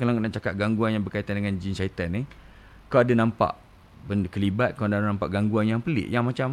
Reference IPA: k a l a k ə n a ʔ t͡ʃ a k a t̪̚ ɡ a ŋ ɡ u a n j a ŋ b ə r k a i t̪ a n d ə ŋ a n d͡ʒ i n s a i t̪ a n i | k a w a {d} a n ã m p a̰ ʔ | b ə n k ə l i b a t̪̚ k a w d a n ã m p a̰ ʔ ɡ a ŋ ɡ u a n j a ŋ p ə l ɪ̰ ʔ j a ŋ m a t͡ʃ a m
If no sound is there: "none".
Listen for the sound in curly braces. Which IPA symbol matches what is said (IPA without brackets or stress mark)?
d